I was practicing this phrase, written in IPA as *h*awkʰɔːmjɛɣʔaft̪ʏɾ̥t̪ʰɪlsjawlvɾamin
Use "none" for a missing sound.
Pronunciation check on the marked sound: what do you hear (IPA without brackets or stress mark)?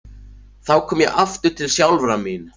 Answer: θ